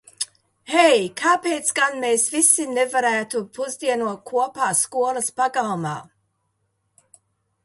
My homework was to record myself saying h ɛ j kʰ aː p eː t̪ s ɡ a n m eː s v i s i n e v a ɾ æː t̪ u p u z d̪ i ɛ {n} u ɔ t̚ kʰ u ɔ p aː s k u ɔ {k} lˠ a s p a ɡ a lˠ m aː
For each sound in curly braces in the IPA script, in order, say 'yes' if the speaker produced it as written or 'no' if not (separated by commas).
yes, no